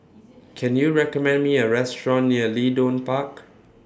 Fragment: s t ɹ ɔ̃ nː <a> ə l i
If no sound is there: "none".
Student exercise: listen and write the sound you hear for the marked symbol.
i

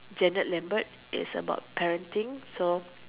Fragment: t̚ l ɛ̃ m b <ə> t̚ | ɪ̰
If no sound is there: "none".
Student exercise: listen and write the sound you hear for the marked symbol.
ə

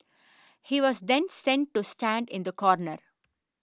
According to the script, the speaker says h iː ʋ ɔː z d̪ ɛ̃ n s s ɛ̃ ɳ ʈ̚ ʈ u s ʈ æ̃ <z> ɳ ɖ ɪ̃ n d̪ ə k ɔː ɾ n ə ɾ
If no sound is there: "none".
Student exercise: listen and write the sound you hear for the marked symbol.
none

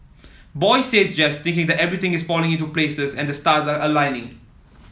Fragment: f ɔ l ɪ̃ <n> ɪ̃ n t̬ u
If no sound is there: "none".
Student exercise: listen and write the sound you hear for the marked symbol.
ŋ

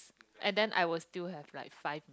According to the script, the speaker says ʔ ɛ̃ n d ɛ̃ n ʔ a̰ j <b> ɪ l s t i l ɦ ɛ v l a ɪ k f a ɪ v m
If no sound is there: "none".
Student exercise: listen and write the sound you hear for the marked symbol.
w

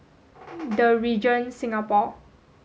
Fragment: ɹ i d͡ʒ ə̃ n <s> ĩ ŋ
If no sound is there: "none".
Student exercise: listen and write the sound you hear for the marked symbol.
s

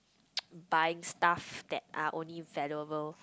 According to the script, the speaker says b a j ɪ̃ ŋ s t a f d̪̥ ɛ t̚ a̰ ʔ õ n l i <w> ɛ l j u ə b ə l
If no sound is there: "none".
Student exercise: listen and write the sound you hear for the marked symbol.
v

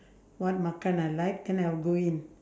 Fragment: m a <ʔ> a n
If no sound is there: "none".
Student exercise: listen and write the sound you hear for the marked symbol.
k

